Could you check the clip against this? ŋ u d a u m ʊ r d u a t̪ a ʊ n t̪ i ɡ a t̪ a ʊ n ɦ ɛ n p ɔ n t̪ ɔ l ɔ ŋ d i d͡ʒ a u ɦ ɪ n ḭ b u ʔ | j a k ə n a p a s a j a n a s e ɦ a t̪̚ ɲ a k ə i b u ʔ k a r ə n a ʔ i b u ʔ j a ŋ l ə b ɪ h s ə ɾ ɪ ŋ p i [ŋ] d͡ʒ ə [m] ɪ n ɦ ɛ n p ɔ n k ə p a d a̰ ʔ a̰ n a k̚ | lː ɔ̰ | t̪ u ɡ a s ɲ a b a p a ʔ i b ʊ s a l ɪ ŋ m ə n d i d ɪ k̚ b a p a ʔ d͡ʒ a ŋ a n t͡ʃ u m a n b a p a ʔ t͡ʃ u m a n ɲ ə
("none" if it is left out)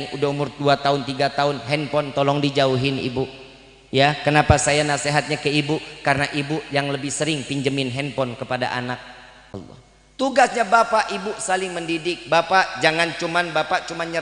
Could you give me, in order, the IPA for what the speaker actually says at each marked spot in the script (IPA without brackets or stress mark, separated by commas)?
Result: ɲ, m